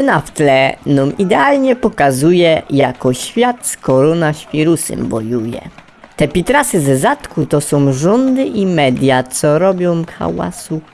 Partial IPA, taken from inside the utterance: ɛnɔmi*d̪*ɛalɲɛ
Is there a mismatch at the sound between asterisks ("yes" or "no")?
no